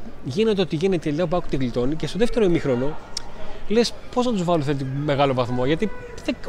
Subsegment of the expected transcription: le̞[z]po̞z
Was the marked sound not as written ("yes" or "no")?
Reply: yes